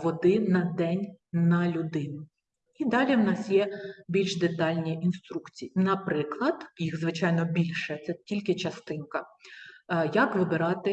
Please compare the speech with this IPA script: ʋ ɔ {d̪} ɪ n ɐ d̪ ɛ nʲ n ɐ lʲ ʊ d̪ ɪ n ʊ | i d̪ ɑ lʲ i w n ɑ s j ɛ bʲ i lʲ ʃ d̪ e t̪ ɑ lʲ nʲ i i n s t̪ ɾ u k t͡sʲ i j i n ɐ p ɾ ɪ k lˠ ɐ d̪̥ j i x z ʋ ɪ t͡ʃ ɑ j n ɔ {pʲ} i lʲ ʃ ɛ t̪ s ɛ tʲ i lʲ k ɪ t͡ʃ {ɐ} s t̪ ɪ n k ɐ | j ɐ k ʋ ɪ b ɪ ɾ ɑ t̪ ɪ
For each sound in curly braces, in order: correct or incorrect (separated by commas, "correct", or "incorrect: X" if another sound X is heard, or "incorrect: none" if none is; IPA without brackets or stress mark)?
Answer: correct, incorrect: bʲ, correct